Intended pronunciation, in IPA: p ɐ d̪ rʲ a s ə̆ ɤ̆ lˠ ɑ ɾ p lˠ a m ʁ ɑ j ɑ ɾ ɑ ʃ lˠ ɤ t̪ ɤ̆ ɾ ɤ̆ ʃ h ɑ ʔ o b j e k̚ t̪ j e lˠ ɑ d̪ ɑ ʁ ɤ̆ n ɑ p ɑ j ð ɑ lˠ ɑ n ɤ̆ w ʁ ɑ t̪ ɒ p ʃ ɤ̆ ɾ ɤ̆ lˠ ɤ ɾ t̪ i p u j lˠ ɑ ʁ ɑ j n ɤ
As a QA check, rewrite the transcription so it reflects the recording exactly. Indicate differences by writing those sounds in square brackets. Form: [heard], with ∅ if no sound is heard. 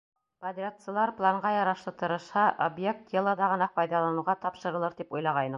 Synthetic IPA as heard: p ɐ d̪ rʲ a s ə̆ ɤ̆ lˠ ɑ ɾ p lˠ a [ɴ] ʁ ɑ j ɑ ɾ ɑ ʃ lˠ ɤ t̪ ɤ̆ ɾ ɤ̆ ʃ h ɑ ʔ o b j e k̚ t̪ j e lˠ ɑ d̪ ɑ ʁ ɤ̆ n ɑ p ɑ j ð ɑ lˠ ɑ n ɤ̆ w ʁ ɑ t̪ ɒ p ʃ ɤ̆ ɾ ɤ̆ lˠ ɤ ɾ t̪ i p u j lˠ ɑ ʁ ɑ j n ɤ